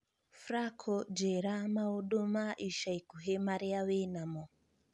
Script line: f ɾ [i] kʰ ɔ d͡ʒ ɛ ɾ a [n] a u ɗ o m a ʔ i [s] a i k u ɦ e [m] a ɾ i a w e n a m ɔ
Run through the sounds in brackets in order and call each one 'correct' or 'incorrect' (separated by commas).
incorrect, incorrect, incorrect, correct